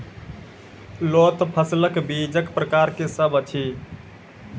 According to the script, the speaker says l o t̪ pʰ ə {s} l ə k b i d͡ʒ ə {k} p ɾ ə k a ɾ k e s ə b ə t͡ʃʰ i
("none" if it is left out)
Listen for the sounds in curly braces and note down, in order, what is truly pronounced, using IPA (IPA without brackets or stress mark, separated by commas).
s, k